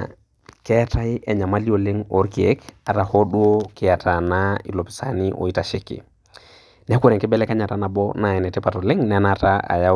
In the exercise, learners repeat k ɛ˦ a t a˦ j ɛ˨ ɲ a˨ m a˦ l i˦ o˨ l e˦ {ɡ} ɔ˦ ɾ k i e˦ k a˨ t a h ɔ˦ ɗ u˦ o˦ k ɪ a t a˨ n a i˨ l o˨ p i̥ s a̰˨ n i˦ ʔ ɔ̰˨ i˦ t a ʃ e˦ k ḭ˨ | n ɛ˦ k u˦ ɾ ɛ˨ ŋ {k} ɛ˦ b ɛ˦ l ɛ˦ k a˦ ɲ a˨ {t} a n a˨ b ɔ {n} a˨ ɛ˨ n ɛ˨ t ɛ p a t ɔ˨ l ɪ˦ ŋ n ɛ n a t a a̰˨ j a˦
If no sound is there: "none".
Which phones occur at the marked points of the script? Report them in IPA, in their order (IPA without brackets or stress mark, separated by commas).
ŋ, k, t, n